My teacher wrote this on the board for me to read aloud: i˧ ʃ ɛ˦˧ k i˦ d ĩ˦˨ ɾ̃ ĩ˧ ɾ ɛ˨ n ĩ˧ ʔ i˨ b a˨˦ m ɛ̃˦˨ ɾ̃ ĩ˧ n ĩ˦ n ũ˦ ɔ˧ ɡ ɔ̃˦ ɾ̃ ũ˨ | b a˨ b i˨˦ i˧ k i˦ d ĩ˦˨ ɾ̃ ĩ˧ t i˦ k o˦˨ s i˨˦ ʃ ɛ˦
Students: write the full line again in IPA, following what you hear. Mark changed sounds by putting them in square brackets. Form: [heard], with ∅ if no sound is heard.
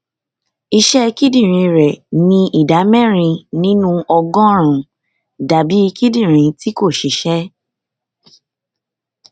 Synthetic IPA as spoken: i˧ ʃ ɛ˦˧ k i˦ d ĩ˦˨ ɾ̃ ĩ˧ ɾ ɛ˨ n ĩ˧ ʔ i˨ [d] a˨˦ m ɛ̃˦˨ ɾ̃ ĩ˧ n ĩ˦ n ũ˦ ɔ˧ ɡ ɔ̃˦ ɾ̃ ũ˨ | [d] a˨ b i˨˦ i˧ k i˦ d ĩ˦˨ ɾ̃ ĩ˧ t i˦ k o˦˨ [ʃ] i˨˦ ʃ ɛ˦